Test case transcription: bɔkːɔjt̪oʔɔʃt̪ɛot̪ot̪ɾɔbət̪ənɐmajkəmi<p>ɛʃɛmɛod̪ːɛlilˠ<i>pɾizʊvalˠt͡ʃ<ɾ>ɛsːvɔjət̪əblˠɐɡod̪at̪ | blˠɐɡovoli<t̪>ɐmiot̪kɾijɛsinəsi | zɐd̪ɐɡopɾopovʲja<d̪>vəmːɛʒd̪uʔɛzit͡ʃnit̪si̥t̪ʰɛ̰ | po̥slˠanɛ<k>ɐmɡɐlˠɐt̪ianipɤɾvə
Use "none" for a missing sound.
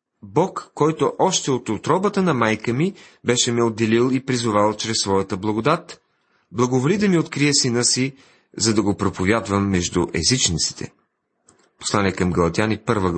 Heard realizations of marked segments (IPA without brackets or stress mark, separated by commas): b, i, ɾ, d̪, d̪, k